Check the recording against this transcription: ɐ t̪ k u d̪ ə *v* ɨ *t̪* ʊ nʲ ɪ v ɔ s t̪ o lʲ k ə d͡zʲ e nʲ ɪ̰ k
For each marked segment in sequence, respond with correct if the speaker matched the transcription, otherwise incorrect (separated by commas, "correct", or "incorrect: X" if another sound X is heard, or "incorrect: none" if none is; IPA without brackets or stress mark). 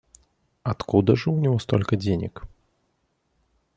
incorrect: ʐ, incorrect: none